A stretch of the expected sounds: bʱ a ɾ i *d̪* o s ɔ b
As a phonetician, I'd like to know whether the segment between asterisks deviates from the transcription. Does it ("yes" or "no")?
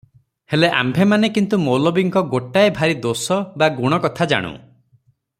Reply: no